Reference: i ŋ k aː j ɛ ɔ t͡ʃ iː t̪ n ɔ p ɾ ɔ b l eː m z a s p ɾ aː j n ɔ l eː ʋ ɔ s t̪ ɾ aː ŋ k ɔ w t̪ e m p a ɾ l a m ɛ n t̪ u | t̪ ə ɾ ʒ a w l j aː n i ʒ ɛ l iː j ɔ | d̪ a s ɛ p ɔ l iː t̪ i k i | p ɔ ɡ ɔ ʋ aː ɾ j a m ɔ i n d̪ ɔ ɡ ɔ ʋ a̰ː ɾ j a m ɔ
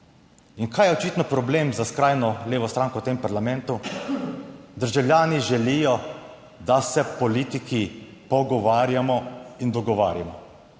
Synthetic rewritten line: i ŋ k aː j ɛ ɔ t͡ʃ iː t̪ n ɔ p ɾ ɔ b l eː m z a s k ɾ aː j n ɔ l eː ʋ ɔ s t̪ ɾ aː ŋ k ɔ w t̪ e m p a ɾ l a m ɛ n t̪ u | d̪ ə ɾ ʒ a w l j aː n i ʒ ɛ l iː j ɔ | d̪ a s ɛ p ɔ l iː t̪ i k i | p ɔ ɡ ɔ ʋ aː ɾ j a m ɔ i n d̪ ɔ ɡ ɔ ʋ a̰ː ɾ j a m ɔ